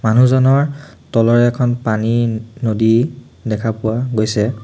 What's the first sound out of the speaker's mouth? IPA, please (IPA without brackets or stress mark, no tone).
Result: m